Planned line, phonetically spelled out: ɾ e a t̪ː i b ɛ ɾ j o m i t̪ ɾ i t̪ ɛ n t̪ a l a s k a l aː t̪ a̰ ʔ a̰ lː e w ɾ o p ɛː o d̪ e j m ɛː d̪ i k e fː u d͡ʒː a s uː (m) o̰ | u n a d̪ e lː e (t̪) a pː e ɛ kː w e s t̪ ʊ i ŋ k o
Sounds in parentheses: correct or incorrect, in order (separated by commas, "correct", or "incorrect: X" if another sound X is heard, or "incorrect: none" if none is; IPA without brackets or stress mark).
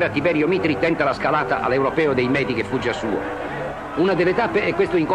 incorrect: none, correct